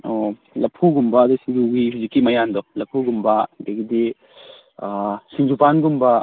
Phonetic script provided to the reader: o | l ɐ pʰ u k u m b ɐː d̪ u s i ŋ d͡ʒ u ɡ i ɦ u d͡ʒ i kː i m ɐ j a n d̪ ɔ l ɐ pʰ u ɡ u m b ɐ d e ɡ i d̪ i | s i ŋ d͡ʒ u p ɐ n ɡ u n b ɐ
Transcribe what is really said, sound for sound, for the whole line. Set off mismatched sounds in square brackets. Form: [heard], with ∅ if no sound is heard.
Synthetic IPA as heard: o | l ɐ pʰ u [ɡ] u m b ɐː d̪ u s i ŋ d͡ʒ u ɡ i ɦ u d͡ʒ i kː i m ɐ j a n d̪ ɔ l ɐ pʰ u ɡ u m b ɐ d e ɡ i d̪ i | s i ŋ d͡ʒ u p [a] n ɡ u [m] b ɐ